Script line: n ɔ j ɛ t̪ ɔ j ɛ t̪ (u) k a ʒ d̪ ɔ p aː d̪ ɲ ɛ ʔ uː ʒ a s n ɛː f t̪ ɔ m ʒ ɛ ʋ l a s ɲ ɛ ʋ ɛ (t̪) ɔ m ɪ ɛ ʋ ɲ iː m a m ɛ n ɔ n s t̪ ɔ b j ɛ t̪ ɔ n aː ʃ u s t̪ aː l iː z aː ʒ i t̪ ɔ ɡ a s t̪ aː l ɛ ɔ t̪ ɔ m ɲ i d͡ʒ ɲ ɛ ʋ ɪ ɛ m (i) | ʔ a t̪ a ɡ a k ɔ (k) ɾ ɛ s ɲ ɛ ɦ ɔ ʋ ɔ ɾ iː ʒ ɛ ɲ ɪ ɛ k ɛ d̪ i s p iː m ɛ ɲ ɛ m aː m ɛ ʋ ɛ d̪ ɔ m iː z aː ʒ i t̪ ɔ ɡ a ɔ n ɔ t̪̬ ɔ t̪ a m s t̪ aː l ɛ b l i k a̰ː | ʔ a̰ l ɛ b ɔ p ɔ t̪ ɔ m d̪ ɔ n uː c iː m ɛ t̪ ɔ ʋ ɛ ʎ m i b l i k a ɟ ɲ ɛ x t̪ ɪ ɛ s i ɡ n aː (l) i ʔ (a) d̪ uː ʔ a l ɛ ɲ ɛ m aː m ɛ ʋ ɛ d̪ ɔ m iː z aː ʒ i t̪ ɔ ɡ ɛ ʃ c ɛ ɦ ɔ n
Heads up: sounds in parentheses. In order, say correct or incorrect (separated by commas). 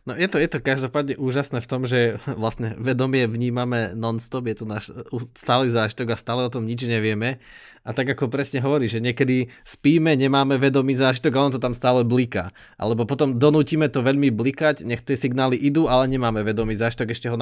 incorrect, incorrect, incorrect, incorrect, correct, incorrect